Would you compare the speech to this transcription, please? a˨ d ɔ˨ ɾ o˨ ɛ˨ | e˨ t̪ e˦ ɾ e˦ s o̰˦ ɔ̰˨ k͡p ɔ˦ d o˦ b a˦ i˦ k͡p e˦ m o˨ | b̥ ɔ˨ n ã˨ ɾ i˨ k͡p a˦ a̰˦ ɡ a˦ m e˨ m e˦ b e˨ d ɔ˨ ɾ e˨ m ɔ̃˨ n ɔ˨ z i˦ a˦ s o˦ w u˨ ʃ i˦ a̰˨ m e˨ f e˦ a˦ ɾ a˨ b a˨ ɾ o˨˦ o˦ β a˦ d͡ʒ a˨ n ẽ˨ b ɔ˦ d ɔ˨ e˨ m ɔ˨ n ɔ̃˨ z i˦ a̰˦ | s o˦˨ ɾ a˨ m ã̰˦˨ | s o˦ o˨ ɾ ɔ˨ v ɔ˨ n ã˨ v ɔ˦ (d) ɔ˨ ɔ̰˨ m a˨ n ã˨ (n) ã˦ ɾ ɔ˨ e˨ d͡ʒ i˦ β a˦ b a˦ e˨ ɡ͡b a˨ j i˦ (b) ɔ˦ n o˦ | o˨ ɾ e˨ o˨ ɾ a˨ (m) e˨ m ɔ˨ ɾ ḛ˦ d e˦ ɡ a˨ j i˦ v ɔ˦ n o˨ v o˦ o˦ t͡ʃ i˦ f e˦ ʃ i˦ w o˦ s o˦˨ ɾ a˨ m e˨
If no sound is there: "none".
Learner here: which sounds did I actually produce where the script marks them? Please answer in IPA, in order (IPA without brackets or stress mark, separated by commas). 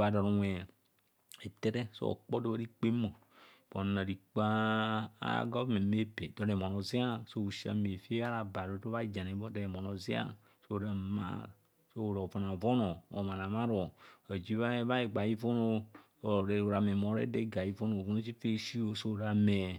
n, m, v, m